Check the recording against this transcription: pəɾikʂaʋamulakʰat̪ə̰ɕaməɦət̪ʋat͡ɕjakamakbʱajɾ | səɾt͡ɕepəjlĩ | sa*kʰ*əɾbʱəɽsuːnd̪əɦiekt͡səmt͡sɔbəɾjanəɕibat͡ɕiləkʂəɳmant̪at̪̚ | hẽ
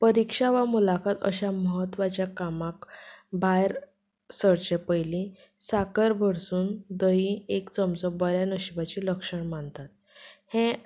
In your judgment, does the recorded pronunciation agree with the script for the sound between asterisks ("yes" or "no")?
no